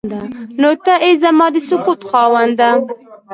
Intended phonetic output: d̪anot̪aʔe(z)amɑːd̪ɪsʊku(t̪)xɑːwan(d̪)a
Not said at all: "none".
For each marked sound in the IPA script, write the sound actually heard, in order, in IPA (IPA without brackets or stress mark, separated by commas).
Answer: z, t̪, d̪